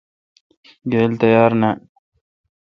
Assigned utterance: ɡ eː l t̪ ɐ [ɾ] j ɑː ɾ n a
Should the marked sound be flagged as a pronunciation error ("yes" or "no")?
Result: yes